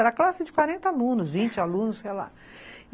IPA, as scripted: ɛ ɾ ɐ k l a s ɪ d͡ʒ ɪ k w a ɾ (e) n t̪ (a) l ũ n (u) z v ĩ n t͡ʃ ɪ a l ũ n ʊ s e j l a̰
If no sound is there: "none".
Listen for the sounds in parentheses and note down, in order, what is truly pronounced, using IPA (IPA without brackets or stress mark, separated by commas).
ẽ, a, ʊ